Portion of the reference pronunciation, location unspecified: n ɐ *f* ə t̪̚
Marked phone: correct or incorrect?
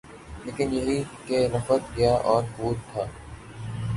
correct